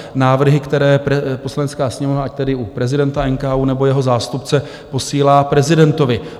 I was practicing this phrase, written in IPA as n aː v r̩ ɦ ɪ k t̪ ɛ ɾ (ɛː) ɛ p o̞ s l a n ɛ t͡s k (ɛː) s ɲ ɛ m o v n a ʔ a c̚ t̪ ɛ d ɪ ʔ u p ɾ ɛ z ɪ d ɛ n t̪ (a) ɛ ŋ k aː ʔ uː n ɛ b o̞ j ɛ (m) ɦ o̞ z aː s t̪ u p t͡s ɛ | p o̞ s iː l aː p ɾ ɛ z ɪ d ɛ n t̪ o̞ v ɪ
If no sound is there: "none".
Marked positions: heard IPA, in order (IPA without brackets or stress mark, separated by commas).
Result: ɛː, aː, a, none